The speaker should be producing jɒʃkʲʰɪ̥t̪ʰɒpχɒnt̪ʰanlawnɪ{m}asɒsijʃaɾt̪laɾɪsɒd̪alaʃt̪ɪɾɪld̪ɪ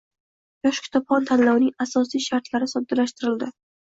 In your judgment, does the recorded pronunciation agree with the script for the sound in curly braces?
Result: no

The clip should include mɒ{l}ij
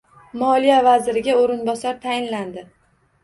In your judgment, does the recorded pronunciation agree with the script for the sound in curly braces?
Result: yes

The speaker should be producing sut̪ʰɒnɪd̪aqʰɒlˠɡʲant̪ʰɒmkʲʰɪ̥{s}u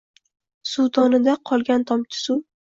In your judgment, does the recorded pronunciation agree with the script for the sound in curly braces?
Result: yes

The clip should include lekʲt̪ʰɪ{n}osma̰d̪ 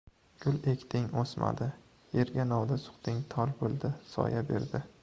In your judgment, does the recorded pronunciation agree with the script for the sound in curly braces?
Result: no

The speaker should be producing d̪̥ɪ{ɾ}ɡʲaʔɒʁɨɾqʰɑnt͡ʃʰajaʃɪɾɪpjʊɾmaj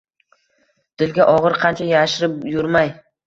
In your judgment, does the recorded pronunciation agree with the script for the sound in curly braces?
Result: no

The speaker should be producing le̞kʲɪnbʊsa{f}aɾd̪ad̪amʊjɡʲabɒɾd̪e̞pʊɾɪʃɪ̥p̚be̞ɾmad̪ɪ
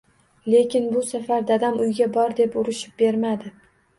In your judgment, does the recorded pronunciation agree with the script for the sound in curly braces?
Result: yes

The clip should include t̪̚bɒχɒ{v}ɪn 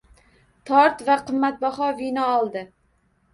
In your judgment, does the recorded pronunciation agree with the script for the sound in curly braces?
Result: yes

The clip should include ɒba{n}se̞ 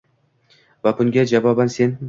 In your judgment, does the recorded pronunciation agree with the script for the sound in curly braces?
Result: yes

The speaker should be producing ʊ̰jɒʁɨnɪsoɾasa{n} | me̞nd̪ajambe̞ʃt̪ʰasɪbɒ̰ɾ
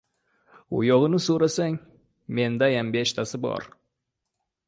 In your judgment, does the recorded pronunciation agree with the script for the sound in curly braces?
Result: no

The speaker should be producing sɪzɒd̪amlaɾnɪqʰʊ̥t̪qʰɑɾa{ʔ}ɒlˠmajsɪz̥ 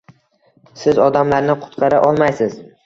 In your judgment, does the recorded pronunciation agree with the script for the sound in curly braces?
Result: yes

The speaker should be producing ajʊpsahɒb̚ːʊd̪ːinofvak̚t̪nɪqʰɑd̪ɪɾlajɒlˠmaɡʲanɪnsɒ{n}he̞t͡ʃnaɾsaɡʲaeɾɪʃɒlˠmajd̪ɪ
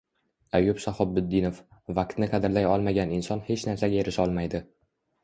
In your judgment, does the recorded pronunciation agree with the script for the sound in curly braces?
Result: yes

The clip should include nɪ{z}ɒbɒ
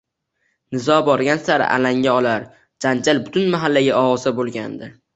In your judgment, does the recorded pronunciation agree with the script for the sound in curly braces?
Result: yes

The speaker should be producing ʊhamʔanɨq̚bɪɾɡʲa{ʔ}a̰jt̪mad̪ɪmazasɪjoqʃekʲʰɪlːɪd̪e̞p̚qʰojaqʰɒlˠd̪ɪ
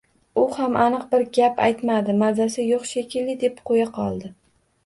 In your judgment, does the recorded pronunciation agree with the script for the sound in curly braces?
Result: no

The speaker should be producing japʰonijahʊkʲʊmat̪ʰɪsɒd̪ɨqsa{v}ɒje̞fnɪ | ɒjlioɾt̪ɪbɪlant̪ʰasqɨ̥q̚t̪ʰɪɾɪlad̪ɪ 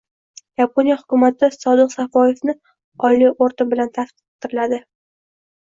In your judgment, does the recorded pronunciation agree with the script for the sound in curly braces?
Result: no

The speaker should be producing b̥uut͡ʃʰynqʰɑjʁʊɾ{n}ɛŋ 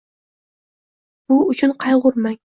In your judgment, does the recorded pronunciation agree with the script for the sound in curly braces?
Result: no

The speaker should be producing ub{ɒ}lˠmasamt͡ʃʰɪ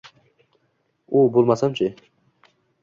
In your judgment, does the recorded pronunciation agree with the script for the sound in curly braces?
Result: no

